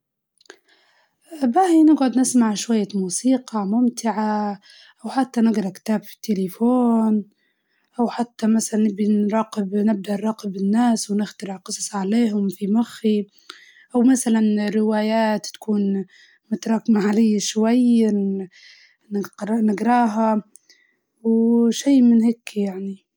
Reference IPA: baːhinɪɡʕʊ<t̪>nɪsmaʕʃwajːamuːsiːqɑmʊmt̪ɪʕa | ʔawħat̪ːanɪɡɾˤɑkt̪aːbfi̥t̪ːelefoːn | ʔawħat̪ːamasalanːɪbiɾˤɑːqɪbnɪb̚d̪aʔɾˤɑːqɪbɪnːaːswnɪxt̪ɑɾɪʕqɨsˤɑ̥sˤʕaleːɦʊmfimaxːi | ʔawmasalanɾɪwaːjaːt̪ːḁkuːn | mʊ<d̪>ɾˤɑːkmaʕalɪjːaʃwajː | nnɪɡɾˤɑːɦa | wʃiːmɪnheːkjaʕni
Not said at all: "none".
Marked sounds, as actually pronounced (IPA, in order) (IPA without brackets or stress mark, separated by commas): d̪, t̪